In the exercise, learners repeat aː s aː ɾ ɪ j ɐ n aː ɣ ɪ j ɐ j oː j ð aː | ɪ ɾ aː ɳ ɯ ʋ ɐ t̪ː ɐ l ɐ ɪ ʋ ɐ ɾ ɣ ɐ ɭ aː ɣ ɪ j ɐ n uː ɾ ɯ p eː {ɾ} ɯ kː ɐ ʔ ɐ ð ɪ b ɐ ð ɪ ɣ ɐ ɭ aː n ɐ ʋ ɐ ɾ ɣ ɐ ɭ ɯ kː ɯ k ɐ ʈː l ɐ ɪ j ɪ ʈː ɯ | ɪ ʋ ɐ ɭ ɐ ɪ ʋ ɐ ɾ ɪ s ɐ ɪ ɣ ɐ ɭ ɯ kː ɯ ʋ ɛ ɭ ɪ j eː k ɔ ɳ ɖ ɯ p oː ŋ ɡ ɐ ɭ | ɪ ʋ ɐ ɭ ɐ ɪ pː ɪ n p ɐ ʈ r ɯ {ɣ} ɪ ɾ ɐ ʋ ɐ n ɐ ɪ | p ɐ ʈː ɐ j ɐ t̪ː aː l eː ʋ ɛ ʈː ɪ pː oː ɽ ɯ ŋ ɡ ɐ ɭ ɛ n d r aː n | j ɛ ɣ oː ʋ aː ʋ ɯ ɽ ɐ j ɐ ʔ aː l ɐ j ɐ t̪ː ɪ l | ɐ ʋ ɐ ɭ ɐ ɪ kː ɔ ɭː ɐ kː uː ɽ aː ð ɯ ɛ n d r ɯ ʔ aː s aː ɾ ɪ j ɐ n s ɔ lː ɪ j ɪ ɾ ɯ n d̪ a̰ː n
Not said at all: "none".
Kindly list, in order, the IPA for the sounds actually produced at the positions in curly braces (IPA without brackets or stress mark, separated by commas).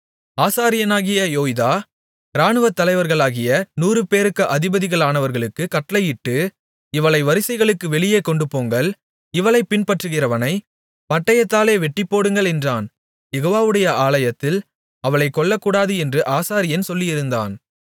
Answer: ɾ, ɣ